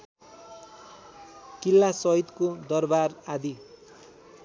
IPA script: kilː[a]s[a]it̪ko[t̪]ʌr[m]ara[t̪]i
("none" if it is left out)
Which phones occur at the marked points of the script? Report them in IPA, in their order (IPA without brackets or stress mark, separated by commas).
a, ʌ, d̪, b, d̪